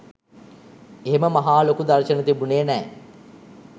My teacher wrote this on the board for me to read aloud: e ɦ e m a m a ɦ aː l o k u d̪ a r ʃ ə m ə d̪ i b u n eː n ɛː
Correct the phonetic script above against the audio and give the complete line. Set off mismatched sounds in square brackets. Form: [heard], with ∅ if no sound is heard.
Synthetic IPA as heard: e ɦ e m [ə] m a ɦ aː l o k u d̪ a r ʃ ə [n] ə [t̪] i b u n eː n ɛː